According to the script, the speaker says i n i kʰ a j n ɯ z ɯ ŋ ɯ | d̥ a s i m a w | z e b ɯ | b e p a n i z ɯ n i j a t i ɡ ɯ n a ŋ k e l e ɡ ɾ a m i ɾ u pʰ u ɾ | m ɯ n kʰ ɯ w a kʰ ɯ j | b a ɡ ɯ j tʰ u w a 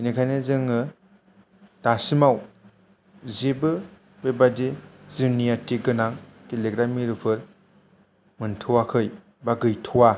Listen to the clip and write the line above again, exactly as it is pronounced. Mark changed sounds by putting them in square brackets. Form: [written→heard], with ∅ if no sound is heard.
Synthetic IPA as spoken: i n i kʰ a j n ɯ z ɯ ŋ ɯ | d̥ a s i m a w | z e b ɯ | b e [p→b] a [n→d] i z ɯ n i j a t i ɡ ɯ n a ŋ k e l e ɡ ɾ a m i ɾ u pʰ [u→ɯ] ɾ | m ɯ n [kʰ→tʰ] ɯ w a kʰ ɯ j | b a ɡ ɯ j tʰ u w a